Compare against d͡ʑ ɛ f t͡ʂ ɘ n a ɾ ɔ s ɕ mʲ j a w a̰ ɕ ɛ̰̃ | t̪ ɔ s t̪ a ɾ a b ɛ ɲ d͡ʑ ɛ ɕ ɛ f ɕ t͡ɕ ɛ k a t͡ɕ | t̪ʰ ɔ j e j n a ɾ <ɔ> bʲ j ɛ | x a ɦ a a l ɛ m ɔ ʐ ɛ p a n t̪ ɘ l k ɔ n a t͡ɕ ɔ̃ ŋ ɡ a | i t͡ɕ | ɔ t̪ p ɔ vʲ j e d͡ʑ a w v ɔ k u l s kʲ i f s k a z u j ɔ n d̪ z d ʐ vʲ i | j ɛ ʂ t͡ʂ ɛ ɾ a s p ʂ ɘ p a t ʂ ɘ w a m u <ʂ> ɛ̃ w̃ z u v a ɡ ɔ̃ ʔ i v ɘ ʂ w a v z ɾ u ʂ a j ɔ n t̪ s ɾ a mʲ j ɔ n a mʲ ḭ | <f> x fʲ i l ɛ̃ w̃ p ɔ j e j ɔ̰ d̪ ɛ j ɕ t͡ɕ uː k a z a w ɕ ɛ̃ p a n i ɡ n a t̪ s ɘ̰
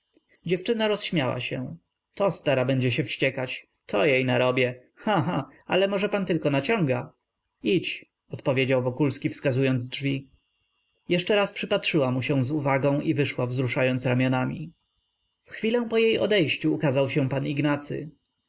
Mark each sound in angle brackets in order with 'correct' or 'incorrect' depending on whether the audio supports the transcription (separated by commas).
correct, incorrect, correct